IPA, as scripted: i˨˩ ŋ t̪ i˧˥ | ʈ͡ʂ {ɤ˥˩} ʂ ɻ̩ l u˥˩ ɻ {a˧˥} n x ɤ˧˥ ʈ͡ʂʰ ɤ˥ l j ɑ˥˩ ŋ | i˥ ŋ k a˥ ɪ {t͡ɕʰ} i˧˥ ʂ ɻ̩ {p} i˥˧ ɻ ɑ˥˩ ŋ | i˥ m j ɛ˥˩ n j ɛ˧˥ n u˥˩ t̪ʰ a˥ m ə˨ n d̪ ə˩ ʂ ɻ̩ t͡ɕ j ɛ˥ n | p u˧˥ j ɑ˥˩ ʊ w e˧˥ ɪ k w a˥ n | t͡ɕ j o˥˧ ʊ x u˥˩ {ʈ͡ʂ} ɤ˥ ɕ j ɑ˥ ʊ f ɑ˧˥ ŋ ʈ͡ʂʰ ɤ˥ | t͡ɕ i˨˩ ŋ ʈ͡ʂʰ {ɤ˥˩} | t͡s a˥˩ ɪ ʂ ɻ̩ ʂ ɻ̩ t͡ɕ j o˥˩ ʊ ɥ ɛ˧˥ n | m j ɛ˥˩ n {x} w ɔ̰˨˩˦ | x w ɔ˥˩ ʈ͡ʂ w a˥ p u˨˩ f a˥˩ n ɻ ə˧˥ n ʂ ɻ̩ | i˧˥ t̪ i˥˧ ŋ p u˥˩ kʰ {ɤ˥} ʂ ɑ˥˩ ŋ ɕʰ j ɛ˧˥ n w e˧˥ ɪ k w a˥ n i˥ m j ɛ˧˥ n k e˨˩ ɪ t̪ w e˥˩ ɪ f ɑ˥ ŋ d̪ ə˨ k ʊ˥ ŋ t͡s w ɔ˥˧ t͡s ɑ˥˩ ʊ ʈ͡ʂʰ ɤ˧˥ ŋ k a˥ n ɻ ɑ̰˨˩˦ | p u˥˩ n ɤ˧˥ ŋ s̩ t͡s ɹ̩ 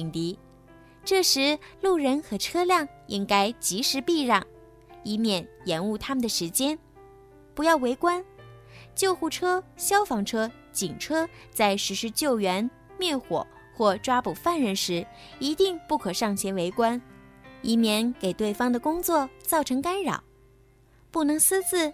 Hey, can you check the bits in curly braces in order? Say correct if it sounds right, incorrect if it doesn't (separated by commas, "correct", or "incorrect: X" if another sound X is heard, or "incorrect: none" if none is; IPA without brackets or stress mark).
correct, incorrect: ə˧˥, incorrect: t͡ɕ, correct, incorrect: ʈ͡ʂʰ, incorrect: ɤ˥, correct, incorrect: ɤ˨˩